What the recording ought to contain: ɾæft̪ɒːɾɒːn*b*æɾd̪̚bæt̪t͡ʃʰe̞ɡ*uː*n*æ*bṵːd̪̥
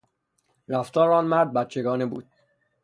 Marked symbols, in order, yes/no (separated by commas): no, no, no